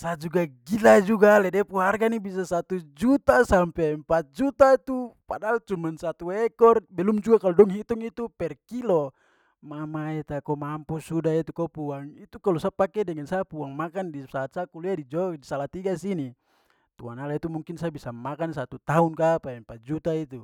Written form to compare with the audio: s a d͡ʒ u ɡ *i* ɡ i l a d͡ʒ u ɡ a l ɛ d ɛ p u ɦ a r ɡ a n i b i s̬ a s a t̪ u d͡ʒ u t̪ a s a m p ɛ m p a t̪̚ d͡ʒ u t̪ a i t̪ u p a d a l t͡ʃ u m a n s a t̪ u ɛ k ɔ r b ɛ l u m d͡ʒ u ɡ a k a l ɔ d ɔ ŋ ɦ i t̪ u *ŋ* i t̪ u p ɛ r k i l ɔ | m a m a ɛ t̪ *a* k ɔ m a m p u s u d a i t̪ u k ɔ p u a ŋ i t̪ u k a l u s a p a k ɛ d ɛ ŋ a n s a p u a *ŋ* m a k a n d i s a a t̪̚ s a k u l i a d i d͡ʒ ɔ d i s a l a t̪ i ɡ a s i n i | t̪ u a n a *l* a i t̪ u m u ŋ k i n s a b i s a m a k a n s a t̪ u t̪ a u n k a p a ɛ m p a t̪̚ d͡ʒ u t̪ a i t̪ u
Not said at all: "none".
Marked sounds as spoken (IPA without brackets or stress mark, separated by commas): a, ŋ, a, ŋ, l